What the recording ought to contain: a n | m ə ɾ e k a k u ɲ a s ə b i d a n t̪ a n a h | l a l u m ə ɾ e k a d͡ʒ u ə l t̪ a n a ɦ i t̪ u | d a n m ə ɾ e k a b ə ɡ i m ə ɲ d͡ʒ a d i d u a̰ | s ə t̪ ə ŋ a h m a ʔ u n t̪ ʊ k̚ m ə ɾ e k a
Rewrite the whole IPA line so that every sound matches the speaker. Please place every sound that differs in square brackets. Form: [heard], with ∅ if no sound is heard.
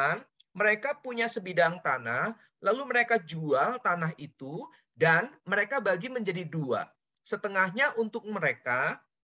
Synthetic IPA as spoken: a n | m ə ɾ e k a [p] u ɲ a s ə b i d a [ŋ] t̪ a n a h | l a l u m ə ɾ e k a d͡ʒ u [a] l t̪ a n a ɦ i t̪ u | d a n m ə ɾ e k a b [a] ɡ i m ə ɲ d͡ʒ a d i d u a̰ | s ə t̪ ə ŋ a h [ɲ] a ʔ u n t̪ ʊ k̚ m ə ɾ e k a